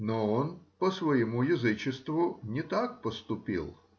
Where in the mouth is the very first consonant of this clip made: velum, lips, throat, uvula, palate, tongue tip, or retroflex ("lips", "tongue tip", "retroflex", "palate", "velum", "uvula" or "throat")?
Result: tongue tip